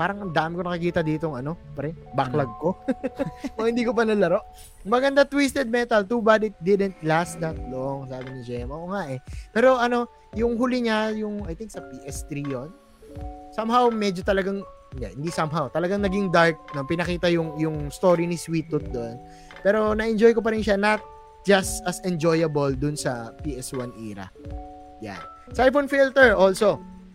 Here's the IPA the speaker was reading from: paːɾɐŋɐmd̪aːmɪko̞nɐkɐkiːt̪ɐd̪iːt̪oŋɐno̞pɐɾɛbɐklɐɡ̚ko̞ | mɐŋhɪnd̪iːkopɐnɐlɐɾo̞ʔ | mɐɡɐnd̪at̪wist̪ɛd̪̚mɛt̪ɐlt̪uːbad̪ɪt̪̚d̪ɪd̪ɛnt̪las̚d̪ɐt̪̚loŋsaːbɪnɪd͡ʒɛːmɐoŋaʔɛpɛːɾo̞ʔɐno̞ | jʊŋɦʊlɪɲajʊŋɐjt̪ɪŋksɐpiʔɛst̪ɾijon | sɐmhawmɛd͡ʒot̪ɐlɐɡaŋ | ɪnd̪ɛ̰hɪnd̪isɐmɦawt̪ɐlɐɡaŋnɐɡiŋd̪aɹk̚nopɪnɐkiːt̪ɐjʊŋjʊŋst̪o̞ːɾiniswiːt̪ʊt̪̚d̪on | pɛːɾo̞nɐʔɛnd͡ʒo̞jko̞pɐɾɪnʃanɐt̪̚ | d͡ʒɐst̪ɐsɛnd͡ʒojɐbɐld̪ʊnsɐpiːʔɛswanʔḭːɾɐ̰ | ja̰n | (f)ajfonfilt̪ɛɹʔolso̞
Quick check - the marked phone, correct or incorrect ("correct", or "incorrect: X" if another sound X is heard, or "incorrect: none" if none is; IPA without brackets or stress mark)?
incorrect: s